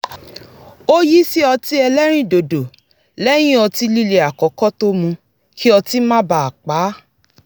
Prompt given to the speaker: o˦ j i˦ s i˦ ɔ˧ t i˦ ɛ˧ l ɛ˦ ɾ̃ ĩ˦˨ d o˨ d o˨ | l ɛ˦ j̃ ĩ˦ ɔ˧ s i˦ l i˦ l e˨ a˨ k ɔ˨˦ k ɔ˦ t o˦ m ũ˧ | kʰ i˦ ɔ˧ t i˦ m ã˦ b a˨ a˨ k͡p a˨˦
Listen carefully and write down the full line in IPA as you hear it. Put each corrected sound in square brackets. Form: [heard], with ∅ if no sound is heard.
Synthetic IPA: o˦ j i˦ s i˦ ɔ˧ t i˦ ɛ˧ l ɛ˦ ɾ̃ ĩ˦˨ d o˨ d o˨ | l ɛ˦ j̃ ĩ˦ ɔ˧ [t] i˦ l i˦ l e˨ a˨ k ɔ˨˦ k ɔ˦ t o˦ m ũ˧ | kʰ i˦ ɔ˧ t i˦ m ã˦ b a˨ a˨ k͡p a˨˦